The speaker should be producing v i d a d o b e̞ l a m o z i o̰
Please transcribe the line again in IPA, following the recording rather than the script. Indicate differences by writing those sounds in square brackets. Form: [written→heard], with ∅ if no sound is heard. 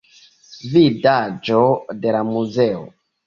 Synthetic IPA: v i d a [d→d͡ʒ] o [b→d] e̞ l a m [o→u] z [i→e] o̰